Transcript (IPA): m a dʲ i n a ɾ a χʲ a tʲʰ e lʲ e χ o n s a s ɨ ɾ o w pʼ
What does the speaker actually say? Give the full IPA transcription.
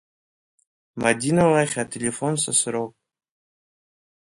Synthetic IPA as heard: m a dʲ i n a l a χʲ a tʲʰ e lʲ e f o n s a s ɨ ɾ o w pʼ